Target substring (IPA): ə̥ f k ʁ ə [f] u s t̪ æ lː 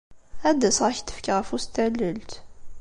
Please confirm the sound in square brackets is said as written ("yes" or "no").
yes